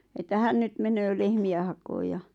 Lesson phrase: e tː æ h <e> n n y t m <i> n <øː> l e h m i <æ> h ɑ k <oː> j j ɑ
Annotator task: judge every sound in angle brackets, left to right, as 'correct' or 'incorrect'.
incorrect: æ, incorrect: e, correct, correct, correct

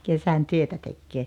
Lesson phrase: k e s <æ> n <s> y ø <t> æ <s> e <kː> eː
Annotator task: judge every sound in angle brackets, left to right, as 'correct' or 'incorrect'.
correct, incorrect: t, correct, incorrect: t, correct

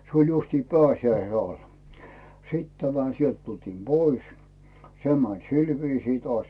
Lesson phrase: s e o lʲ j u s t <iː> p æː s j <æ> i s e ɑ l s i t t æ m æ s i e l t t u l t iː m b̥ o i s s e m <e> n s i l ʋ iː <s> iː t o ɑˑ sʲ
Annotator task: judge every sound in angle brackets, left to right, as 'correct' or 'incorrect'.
correct, correct, incorrect: æ, correct

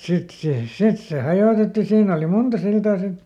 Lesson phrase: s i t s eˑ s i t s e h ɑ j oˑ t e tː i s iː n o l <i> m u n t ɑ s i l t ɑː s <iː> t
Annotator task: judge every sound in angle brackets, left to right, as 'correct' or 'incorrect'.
correct, incorrect: i

